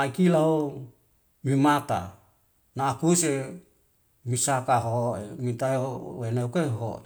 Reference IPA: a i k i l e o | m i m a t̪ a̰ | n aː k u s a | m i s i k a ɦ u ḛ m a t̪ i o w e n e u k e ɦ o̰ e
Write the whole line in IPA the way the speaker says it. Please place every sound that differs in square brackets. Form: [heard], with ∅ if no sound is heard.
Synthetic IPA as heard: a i k i l [a] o | m i m a t̪ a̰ | n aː k u s [e] | m i s [a] k a ɦ [o] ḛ m [i] t̪ [a] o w e n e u k e ɦ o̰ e